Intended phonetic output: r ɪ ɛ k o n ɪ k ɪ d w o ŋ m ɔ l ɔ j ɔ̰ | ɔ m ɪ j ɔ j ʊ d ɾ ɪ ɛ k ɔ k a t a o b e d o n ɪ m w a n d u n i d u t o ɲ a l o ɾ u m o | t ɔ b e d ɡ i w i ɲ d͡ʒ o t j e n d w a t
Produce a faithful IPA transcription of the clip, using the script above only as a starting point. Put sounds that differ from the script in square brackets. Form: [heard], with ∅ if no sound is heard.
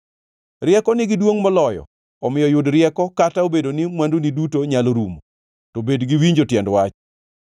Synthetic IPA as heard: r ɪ ɛ k [ɔ] n ɪ [ɡ] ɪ d w o ŋ m ɔ l ɔ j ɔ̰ | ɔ m ɪ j ɔ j ʊ d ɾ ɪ ɛ k ɔ k a t a o b e d o n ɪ m w a n d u n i d u t o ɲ a l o ɾ u m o | t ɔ b e d ɡ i w i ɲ d͡ʒ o t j [ɛ] n d w a [t͡ʃ]

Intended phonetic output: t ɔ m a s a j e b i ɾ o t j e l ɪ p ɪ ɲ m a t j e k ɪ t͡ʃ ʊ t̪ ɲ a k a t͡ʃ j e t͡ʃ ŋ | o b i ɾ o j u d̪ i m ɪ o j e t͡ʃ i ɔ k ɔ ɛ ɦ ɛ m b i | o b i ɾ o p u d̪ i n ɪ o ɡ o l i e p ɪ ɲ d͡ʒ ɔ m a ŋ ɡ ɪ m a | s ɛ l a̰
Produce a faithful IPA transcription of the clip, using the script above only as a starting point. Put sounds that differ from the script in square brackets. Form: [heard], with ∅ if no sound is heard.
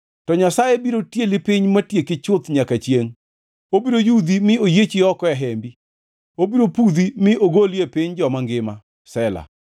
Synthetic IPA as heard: t ɔ [ɲ] a s a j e b i ɾ o t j e l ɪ p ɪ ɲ m a t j e k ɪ t͡ʃ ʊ t̪ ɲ a k a t͡ʃ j e [∅] ŋ | o b i ɾ o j u d̪ i m ɪ o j e t͡ʃ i ɔ k ɔ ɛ ɦ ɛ m b i | o b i ɾ o p u d̪ i [m] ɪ o ɡ o l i e p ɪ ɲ d͡ʒ ɔ m a ŋ ɡ ɪ m a | s ɛ l a̰

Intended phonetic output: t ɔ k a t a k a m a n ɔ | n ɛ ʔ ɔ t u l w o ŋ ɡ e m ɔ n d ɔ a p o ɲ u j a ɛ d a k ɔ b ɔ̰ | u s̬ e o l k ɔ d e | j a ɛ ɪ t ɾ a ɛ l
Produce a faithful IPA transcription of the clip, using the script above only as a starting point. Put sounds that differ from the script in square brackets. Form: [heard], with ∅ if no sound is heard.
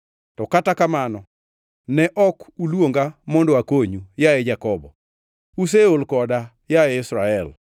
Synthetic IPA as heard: t ɔ k a t a k a m a n ɔ | n ɛ ʔ ɔ [k] u l w o ŋ ɡ [a] m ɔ n d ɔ a [k] o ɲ u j a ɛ [d͡ʒ] a k ɔ b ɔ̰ | u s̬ e o l k ɔ d [a] | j a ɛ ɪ [s] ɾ a ɛ l

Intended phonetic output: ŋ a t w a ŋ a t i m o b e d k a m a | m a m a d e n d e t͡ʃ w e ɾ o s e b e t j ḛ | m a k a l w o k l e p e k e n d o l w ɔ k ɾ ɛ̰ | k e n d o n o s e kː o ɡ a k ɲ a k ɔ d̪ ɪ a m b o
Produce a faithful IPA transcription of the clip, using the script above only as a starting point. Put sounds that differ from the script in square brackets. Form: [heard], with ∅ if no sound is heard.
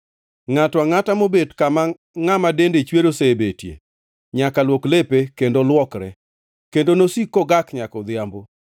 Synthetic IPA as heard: ŋ a t w a ŋ a t [a] m o b e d k a m a | [ŋ] a m a d e n d e t͡ʃ w e ɾ o s e b e t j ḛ | [ɲ] a k a l w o k l e p e k e n d o l w ɔ k ɾ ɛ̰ | k e n d o n o s [i] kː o ɡ a k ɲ a k ɔ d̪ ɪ a m b o

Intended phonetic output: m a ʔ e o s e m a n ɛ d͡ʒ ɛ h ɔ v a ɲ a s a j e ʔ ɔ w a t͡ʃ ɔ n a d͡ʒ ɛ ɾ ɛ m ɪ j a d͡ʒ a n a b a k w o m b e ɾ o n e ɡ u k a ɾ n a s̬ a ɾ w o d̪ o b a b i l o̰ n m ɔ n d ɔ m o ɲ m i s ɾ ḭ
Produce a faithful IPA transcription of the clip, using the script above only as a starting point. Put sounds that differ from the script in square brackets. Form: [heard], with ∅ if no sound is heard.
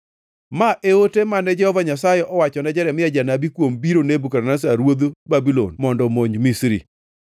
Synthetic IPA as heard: m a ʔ e o [t] e m a n ɛ d͡ʒ ɛ h ɔ v a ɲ a s a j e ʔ ɔ w a t͡ʃ ɔ n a d͡ʒ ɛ ɾ ɛ m ɪ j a d͡ʒ a n a b [i] k w o m b [i] ɾ o n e [b] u k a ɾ n a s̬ a ɾ w o d̪ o b a b i l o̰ n m ɔ n d ɔ m o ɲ m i s ɾ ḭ

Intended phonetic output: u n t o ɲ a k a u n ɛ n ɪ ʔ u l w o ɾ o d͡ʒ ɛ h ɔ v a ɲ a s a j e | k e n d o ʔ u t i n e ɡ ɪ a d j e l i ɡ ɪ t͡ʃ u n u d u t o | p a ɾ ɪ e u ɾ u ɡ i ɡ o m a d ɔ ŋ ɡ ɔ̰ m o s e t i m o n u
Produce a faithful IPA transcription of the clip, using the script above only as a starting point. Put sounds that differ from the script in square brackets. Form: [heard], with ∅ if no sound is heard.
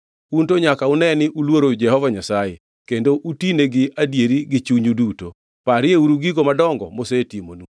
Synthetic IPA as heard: u n t o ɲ a k a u n ɛ n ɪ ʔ u l w o ɾ o d͡ʒ ɛ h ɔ v a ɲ a s a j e | k e n d o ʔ u t i n e ɡ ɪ a d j e [ɾ] i ɡ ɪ t͡ʃ u [ɲ] u d u t o | p a ɾ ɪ e u ɾ u ɡ i ɡ o m a d ɔ ŋ ɡ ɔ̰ m o s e t i m o n u

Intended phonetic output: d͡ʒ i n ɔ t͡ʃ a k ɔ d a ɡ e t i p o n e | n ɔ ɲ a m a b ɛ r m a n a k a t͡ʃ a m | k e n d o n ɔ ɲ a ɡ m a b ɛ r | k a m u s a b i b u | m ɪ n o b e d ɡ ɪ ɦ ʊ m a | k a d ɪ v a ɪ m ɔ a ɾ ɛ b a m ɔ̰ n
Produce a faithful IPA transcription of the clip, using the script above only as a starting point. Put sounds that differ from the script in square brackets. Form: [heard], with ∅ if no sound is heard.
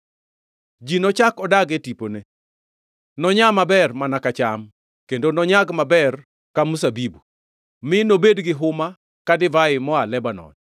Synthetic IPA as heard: d͡ʒ i n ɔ t͡ʃ a k ɔ d a ɡ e t i p o n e | n ɔ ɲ a m a b ɛ r m a n a k a t͡ʃ a m | k e n d o n ɔ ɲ a ɡ m a b ɛ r | k a m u s a b i b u | m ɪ n o b e d ɡ ɪ ɦ ʊ m a | k a d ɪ v a ɪ m ɔ a [l] ɛ b a [n] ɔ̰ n

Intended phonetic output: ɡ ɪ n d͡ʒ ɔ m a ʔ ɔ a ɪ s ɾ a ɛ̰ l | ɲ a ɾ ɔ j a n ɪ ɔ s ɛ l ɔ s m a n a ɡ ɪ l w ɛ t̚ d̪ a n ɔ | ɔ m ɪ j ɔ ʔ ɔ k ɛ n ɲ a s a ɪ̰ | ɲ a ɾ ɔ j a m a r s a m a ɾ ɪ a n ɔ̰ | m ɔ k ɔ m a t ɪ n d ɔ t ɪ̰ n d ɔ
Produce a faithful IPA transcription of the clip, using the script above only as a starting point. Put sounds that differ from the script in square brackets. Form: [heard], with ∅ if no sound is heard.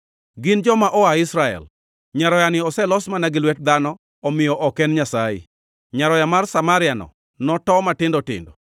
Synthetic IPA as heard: ɡ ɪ n d͡ʒ ɔ m a ʔ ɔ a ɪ s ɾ a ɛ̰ l | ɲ a ɾ ɔ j a n ɪ ɔ s ɛ l ɔ s m a n a ɡ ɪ l w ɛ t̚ d̪ a n ɔ | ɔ m ɪ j ɔ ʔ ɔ k ɛ n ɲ a s a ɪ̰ | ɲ a ɾ ɔ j a m a r s a m a ɾ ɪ a n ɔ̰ | [n] ɔ [t] ɔ m a t ɪ n d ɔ t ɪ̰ n d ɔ

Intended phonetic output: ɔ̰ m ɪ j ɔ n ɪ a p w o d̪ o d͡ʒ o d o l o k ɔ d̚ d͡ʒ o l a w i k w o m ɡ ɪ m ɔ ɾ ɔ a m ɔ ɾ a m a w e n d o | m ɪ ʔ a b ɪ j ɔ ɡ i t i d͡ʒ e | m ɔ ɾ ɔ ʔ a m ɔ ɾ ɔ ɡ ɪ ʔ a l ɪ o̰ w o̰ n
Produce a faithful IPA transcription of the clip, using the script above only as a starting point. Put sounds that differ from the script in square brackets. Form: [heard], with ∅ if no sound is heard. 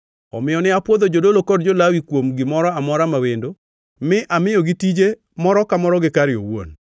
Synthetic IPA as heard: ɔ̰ m ɪ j ɔ n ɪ a p w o d̪ o d͡ʒ o d o l o k ɔ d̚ d͡ʒ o l a w i k w o m ɡ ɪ m ɔ ɾ ɔ a m ɔ ɾ a m a w e n d o | m ɪ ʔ a [m] ɪ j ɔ ɡ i t i d͡ʒ e | m ɔ ɾ ɔ [k] a m ɔ ɾ ɔ ɡ ɪ [k] a [ɾ] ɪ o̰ w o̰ n

